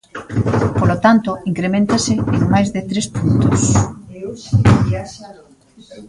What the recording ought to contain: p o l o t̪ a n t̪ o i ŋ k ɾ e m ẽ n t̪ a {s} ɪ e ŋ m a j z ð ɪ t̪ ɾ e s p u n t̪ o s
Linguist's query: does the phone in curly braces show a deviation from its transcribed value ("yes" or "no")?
no